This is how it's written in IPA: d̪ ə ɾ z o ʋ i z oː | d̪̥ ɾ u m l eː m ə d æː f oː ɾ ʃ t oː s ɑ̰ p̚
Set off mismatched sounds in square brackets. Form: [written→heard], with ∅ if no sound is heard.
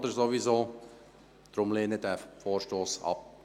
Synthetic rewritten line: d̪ ə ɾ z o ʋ i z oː | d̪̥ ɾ [u→ʊ] m l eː [m→n] ə d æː f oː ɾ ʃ t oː s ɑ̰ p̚